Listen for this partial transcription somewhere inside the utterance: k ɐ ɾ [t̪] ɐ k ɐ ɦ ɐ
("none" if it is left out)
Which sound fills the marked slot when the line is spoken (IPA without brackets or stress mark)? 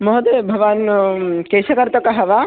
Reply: t̪